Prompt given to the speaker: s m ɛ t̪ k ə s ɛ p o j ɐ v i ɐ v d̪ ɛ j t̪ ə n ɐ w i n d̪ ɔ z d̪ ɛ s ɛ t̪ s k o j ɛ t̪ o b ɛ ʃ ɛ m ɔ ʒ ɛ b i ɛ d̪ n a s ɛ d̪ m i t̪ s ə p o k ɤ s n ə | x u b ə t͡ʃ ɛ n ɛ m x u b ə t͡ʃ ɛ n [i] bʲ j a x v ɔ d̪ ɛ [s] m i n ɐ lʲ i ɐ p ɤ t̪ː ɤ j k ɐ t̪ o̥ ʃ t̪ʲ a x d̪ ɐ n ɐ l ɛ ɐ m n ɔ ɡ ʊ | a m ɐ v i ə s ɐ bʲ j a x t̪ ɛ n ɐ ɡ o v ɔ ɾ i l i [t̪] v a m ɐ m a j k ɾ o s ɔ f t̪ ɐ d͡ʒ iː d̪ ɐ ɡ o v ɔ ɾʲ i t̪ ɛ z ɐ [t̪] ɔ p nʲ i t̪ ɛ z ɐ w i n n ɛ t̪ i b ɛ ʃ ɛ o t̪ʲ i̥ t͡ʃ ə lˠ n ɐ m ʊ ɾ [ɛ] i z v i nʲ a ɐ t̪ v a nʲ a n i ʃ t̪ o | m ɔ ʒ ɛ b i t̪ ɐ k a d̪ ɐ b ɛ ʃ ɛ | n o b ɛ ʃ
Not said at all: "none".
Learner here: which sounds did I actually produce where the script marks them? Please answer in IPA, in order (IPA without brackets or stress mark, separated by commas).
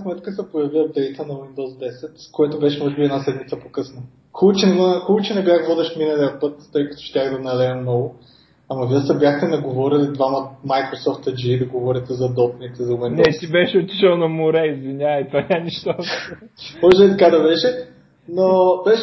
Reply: ɛ, ʃ, d̪, d̪, ɛ